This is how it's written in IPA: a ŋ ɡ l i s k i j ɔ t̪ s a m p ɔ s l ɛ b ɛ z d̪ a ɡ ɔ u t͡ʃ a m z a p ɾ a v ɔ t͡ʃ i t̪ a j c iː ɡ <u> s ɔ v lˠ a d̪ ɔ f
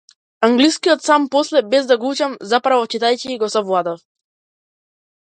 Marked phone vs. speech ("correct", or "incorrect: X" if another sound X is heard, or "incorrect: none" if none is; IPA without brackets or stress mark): incorrect: ɔ